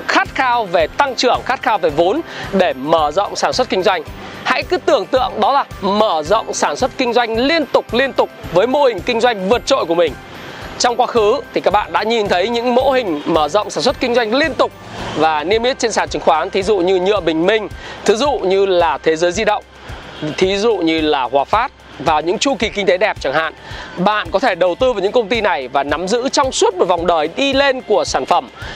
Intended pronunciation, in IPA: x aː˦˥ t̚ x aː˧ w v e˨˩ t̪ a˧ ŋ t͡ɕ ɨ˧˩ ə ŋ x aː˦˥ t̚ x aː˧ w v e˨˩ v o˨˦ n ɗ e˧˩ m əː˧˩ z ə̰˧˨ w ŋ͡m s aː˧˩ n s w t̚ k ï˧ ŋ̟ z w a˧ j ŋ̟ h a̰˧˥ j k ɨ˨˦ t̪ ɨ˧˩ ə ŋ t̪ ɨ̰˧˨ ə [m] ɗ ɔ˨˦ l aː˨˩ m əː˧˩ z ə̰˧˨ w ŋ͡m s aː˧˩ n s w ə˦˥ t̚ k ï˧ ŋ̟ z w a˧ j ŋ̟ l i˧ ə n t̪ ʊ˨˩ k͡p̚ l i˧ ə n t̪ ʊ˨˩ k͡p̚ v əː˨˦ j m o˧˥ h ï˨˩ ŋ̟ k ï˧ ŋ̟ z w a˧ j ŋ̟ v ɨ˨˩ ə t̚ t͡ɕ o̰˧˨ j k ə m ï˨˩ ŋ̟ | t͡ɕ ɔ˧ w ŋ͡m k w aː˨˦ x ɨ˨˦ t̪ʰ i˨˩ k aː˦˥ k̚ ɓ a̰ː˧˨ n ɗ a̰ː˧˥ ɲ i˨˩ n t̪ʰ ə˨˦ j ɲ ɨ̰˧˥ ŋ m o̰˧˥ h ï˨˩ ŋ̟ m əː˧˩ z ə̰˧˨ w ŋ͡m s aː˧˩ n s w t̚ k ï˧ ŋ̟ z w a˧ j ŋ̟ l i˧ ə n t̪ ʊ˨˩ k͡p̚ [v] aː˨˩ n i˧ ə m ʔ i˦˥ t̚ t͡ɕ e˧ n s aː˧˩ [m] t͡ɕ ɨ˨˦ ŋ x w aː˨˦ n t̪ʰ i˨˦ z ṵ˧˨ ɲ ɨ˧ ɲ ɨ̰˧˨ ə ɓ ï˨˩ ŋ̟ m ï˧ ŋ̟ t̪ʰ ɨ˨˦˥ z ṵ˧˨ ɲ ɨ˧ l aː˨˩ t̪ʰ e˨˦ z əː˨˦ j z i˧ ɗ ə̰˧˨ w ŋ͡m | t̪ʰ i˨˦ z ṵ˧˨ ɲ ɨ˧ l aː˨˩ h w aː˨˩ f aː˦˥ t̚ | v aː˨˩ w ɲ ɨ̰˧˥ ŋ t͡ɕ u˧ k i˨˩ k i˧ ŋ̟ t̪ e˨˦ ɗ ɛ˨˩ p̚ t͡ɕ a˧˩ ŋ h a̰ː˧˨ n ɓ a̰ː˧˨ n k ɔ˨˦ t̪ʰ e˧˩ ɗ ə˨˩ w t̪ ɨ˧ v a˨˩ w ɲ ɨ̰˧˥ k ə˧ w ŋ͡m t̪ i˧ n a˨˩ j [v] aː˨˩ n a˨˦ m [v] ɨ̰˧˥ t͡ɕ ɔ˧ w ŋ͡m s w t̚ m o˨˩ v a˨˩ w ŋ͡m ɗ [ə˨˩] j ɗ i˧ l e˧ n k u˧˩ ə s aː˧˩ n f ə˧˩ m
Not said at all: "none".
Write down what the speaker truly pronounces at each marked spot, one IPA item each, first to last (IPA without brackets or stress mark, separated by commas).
ŋ, v, n, v, z, əː˨˩